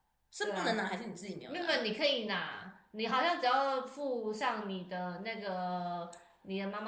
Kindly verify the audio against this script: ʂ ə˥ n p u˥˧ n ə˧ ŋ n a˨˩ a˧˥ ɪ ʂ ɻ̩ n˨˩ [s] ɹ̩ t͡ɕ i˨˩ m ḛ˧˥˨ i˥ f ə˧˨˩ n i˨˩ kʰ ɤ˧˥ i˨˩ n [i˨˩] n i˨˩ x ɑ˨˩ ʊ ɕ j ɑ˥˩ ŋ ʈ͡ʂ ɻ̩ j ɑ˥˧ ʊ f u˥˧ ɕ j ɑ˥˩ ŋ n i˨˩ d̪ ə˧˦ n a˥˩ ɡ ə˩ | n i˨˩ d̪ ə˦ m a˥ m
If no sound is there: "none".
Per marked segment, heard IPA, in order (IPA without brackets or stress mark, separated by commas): t͡s, a˨˩